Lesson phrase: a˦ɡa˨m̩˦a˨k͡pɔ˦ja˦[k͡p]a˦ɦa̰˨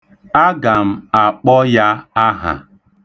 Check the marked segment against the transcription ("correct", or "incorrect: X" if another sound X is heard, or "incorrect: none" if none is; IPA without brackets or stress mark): incorrect: none